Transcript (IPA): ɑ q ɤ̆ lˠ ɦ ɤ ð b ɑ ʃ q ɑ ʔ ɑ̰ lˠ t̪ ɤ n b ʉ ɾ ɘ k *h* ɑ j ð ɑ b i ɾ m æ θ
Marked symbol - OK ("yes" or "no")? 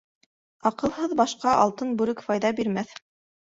no